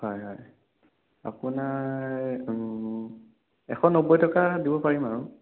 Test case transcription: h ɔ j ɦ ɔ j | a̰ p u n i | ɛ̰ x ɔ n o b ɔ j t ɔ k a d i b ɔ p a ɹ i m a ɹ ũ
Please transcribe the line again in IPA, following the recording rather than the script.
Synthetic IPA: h ɔ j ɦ ɔ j | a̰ p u n a | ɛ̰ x ɔ n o b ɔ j t ɔ k a d i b ɔ p a ɹ i m a ɹ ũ